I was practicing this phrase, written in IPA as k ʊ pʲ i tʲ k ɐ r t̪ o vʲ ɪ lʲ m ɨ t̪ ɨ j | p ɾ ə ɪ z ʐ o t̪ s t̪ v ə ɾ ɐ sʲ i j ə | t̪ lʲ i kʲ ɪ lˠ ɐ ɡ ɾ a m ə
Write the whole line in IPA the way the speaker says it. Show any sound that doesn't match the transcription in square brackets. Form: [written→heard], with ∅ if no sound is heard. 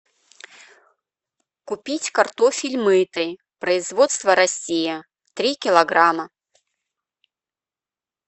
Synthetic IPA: k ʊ pʲ i tʲ k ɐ r t̪ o [vʲ→fʲ] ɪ lʲ m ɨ t̪ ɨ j | p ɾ ə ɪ z [ʐ→v] o t̪ s t̪ v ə ɾ ɐ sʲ i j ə | t̪ [lʲ→ɾʲ] i kʲ ɪ lˠ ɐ ɡ ɾ a m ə